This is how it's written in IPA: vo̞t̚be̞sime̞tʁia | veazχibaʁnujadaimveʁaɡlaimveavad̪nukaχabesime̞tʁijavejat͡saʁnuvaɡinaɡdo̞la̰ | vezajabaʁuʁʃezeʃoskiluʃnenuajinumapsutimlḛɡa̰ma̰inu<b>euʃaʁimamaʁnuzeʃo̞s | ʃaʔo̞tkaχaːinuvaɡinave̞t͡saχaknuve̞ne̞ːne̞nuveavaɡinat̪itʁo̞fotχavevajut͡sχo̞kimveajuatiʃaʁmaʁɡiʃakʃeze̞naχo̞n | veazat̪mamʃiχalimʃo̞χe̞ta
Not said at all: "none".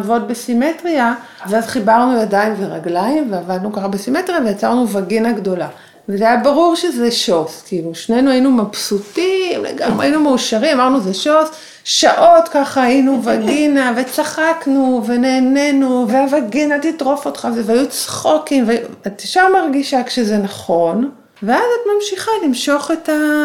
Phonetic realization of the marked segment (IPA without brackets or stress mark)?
m